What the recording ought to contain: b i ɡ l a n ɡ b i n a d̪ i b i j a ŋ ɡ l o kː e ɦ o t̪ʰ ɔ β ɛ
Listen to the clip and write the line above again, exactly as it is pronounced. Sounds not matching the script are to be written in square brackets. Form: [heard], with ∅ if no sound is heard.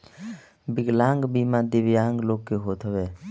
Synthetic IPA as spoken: b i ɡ l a [ŋ] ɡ b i [m] a d̪ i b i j a ŋ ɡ l o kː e ɦ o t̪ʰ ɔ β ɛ